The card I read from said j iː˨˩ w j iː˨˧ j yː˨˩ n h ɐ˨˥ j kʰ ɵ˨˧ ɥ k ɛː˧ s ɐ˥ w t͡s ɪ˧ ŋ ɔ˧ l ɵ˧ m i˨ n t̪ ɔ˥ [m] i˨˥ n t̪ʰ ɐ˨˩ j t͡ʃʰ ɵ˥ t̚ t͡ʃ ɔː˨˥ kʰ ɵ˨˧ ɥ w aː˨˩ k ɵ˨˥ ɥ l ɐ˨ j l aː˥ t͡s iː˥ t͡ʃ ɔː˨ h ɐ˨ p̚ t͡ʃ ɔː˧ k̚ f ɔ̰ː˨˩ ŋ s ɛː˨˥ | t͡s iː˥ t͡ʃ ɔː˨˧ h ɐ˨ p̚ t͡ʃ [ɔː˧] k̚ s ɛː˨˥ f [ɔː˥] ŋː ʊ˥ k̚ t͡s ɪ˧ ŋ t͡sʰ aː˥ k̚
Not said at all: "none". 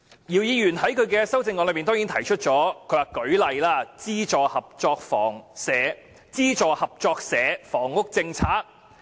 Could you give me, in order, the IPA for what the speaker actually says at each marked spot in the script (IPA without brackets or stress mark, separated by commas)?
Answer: ŋ, ɔː˧, ɔː˨˩